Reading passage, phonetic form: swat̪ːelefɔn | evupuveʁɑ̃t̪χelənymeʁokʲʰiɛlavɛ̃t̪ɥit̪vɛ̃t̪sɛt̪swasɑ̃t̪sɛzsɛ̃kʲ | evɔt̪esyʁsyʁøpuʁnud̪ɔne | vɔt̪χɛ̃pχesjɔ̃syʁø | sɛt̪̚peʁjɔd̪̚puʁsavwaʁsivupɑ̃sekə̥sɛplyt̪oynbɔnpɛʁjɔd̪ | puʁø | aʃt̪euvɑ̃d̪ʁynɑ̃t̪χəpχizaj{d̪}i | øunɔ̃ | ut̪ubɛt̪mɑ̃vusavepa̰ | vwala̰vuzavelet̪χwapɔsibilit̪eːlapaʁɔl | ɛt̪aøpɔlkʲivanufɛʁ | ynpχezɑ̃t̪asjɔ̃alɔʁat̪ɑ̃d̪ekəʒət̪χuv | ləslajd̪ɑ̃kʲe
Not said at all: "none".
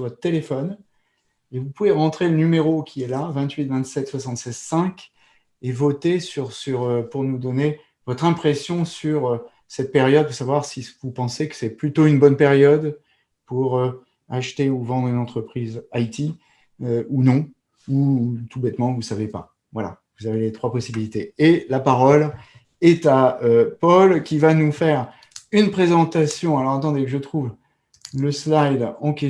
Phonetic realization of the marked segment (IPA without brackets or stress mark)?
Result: t̪